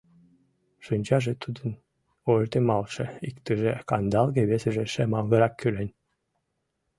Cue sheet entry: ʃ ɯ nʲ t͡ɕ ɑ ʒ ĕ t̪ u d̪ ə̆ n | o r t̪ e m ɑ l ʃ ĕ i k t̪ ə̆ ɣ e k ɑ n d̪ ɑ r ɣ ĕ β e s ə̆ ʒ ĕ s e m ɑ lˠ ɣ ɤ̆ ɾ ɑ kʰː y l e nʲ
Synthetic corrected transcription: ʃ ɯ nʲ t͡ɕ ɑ ʒ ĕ t̪ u d̪ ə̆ n | o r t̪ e m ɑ l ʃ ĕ i k t̪ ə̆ ʒ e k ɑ n d̪ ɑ l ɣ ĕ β e s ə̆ ʒ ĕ ʃ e m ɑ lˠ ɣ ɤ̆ ɾ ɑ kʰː y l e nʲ